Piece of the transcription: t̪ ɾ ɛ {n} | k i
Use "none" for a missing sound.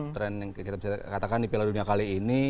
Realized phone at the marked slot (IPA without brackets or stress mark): n